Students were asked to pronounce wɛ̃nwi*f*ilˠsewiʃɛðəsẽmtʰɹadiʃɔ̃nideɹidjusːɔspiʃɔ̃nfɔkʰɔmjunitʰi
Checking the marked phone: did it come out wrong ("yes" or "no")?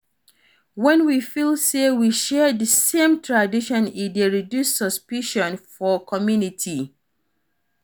no